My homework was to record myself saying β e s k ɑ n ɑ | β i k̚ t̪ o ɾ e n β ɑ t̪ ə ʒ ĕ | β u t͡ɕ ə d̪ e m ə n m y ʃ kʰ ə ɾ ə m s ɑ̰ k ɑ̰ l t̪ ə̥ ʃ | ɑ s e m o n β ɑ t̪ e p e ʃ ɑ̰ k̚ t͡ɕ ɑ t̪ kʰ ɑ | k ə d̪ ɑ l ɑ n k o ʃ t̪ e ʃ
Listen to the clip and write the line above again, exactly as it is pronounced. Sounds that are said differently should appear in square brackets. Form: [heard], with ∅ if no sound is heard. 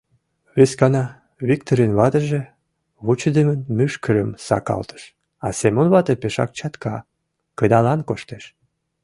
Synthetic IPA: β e s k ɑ n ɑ | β i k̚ t̪ o ɾ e n β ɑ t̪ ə ʒ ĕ | β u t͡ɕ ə d̪ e m ə n m y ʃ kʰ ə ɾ ə m s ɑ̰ k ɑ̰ l t̪ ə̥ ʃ | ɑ s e m o n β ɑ t̪ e p e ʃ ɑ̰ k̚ t͡ɕ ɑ t̪ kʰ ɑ | k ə d̪ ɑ l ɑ n k o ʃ t̪ e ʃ